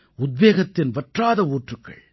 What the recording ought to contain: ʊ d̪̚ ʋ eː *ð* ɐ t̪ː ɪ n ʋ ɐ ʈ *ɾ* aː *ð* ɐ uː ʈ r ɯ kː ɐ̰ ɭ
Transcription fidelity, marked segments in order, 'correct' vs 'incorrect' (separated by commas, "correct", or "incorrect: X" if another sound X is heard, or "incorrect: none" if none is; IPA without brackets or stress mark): incorrect: ɣ, incorrect: r, correct